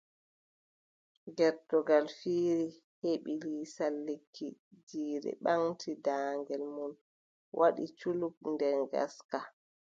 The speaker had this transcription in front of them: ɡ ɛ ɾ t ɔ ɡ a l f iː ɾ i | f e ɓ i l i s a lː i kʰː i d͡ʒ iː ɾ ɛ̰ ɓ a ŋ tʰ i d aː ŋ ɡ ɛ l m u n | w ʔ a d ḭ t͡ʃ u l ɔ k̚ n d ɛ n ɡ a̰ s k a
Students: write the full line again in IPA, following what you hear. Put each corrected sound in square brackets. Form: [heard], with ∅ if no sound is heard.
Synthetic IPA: ɡ ɛ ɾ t ɔ ɡ a l f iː ɾ i | [h] e ɓ i l i s a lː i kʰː i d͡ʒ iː ɾ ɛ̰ ɓ a ŋ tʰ i d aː ŋ ɡ ɛ l m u n | w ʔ a [ɗ] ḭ t͡ʃ u l [u] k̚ n d ɛ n ɡ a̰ s k a